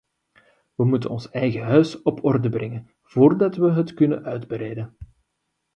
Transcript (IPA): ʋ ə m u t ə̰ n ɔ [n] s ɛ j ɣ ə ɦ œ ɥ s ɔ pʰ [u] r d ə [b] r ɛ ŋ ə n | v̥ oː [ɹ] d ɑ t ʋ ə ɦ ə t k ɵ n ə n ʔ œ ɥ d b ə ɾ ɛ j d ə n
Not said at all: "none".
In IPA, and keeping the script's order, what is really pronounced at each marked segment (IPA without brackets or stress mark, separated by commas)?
n, ɔ, b, r